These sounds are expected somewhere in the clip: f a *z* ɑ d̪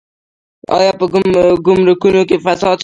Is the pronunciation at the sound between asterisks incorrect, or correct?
incorrect